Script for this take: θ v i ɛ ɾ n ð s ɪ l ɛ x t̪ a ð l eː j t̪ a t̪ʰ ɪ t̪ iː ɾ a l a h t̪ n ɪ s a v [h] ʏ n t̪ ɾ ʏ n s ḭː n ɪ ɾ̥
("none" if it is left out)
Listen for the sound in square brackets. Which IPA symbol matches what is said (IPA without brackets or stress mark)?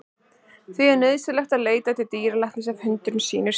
h